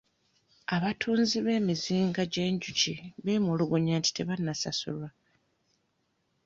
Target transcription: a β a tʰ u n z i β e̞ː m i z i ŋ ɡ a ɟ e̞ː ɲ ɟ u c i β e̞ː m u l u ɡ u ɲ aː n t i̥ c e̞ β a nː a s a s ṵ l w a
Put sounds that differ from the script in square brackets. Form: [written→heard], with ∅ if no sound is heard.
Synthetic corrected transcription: a β a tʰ [u→uː] n z i β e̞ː m i z [i→iː] ŋ ɡ a ɟ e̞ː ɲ ɟ u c i β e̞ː m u l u ɡ u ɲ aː n t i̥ [c→t] e̞ β a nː a s a s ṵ l w a